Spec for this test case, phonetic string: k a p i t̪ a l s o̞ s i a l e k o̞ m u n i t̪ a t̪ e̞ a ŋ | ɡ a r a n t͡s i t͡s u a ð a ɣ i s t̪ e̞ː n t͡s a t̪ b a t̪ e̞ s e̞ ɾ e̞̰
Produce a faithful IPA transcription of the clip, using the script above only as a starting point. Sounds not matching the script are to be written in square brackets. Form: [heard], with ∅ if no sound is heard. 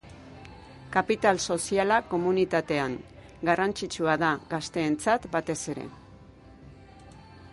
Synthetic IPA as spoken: k a p i t̪ a l s o̞ s i a l [a] k o̞ m u n i t̪ a t̪ e̞ a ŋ | ɡ a r a n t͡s i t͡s u a ð a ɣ [a] s t̪ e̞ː n t͡s a t̪ b a t̪ e̞ s e̞ ɾ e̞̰